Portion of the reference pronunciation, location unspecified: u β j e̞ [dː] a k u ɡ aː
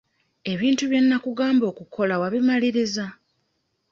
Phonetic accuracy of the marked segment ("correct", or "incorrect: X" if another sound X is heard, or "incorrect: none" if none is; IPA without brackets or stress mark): incorrect: nː